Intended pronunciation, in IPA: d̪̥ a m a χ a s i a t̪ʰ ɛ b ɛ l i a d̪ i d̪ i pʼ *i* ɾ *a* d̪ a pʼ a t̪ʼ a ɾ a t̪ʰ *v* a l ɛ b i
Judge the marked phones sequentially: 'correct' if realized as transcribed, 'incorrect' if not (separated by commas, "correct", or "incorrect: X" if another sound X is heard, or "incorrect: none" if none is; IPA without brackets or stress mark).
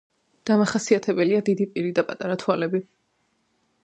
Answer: correct, incorrect: i, incorrect: w